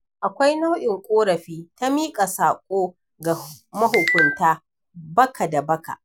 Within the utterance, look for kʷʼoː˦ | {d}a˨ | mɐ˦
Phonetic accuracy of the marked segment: incorrect: ɡ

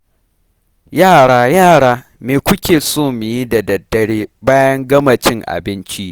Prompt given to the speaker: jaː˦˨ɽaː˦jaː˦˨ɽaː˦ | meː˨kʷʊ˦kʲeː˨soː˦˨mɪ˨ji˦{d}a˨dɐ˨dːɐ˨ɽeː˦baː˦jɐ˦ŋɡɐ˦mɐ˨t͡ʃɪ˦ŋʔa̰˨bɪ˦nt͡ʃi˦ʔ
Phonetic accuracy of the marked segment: correct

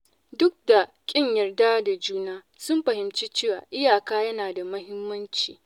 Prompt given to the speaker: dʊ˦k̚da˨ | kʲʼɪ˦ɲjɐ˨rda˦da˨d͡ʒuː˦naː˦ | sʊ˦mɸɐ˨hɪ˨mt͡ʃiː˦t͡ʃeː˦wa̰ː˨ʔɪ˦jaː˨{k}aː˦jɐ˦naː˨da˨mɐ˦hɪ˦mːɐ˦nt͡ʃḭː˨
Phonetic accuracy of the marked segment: correct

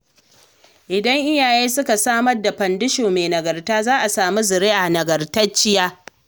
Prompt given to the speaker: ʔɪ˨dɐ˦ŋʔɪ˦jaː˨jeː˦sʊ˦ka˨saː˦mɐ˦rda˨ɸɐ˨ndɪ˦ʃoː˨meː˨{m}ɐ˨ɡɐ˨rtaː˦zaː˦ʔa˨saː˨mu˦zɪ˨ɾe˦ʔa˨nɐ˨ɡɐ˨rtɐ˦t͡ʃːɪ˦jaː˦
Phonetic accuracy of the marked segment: incorrect: n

